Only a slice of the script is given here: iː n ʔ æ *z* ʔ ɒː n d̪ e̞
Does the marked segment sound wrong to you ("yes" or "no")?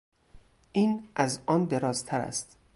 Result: no